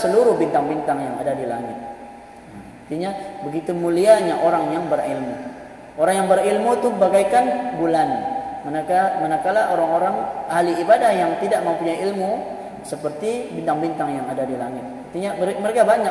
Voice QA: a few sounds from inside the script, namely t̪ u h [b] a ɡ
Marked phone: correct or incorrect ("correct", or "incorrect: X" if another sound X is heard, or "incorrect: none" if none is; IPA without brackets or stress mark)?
correct